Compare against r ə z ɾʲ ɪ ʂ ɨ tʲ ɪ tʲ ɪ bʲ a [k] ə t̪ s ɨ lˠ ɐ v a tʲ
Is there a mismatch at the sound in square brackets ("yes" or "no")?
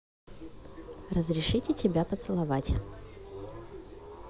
yes